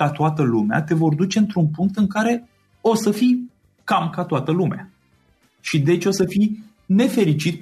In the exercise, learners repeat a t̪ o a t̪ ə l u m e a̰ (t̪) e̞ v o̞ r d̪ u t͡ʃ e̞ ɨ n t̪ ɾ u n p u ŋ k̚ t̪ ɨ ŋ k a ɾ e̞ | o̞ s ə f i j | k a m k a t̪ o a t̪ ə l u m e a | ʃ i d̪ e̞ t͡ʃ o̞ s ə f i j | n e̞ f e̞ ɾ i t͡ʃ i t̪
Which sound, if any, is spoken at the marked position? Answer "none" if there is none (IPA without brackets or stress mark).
t̪